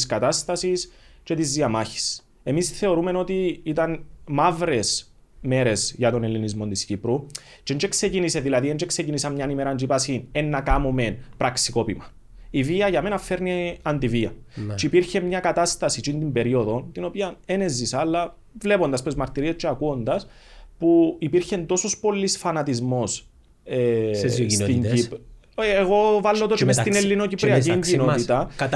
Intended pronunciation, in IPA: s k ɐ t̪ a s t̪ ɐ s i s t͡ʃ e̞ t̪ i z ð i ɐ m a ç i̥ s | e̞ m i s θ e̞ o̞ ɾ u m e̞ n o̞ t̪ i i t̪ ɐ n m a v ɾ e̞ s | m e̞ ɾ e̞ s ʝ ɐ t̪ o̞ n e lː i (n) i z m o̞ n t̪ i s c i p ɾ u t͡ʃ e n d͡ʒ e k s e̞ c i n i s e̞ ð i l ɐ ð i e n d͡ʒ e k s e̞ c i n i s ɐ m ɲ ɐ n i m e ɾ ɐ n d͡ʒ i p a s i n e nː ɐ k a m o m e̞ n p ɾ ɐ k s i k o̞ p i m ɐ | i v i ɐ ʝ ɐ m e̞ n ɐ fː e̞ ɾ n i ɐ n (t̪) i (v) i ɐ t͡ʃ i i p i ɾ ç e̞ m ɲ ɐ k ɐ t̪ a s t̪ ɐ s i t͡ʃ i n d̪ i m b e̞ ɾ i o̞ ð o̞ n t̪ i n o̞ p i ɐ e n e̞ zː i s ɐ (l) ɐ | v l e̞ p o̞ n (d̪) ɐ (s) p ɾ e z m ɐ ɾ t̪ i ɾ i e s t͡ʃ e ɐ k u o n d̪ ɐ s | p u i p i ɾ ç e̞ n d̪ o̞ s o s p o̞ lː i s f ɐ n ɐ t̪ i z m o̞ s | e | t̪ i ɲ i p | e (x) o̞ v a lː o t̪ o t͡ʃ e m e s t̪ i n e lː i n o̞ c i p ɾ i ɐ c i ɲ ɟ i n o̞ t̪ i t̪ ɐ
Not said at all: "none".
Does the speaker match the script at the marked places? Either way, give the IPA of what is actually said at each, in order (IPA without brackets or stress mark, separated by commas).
n, d̪, v, lː, d̪, s, ɣ